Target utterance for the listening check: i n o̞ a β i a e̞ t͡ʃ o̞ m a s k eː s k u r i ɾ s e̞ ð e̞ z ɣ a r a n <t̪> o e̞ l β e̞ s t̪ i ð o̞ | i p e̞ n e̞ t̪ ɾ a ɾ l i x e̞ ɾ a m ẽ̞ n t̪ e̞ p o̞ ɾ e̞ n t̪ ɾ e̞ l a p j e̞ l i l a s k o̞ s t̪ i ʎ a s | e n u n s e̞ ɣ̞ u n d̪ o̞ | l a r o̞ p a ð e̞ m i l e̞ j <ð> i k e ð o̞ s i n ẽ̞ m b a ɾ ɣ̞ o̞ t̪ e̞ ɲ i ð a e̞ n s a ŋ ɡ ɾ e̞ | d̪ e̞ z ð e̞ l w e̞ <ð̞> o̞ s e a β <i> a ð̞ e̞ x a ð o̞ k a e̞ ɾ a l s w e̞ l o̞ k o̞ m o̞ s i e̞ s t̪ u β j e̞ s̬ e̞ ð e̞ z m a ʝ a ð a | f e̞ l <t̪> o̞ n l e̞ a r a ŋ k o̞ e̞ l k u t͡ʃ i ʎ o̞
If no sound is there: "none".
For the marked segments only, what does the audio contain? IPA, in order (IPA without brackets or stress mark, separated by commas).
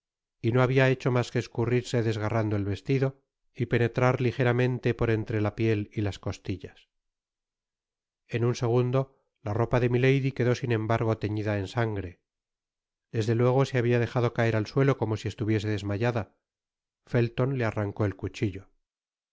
d̪, ð, ɣ̞, i, t̪